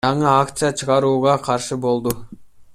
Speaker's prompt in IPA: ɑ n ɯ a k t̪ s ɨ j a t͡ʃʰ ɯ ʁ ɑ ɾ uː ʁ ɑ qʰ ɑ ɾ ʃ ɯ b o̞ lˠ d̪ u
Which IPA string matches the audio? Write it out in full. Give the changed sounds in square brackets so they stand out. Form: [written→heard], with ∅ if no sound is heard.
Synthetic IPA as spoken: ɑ [n→ɴ] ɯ a k t̪ s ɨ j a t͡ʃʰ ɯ ʁ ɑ ɾ uː ʁ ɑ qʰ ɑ ɾ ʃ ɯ b o̞ lˠ d̪ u